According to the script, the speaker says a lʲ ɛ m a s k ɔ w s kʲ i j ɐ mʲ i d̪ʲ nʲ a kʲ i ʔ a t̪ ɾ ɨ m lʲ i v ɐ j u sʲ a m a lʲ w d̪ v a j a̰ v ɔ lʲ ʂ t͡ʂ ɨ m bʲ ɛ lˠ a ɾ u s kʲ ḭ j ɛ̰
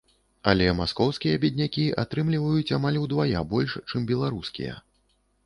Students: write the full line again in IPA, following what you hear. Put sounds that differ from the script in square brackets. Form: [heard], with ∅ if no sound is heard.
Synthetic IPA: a lʲ ɛ m a s k ɔ w s kʲ i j ɐ [bʲ] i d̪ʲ nʲ a kʲ i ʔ a t̪ ɾ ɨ m lʲ i v ɐ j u [t͡sʲ] a m a lʲ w d̪ v a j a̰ [b] ɔ lʲ ʂ t͡ʂ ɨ m bʲ ɛ lˠ a ɾ u s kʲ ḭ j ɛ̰